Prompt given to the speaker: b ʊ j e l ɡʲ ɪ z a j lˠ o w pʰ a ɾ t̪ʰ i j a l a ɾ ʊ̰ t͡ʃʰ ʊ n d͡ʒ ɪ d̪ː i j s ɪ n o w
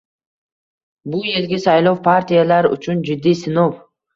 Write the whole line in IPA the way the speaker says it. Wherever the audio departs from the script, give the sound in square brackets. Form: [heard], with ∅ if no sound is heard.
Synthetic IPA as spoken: b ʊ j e l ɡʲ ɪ [s] a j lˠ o w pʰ a ɾ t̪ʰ i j a l a ɾ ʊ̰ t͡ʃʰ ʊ n d͡ʒ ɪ d̪ː i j s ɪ n o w